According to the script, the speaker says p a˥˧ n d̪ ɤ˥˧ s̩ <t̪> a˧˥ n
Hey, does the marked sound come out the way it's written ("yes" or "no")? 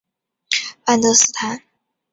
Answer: no